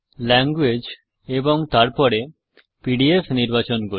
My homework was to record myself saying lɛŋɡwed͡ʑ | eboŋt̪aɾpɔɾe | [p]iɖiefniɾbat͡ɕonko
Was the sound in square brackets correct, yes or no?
yes